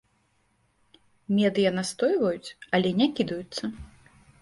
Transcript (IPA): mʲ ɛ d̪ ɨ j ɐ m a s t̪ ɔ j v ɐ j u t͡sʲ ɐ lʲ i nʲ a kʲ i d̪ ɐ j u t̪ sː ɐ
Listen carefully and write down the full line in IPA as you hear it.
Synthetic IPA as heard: mʲ ɛ d̪ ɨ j ɐ n a s t̪ ɔ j v ɐ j u t͡sʲ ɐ lʲ ɛ nʲ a kʲ i d̪ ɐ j u t̪ sː ɐ